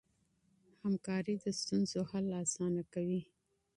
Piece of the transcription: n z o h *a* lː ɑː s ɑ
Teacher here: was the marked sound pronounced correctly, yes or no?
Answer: yes